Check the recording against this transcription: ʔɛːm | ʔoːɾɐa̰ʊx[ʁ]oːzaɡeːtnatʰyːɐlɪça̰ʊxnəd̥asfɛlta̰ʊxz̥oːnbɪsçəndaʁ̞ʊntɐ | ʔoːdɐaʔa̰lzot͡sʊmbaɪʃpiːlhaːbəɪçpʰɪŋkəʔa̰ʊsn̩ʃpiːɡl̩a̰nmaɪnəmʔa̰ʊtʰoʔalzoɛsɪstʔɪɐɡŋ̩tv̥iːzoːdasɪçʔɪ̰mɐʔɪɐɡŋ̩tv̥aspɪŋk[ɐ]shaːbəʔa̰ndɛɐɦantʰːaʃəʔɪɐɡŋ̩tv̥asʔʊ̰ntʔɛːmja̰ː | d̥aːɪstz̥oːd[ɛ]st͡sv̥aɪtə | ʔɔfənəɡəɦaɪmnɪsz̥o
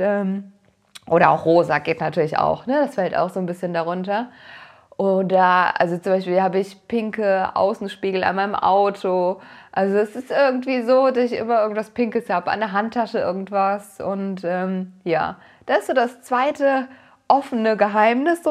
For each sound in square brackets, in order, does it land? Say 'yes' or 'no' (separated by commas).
yes, no, no